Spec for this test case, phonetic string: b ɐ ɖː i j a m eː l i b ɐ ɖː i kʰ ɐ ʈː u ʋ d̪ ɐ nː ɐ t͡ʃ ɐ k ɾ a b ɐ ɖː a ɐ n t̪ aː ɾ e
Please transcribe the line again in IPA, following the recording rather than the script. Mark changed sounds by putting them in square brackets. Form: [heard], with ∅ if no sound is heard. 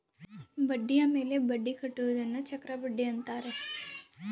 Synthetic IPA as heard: b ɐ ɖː i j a m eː l [e] b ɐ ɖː i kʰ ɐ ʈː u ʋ d̪ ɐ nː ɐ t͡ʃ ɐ k ɾ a b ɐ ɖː [i] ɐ n t̪ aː ɾ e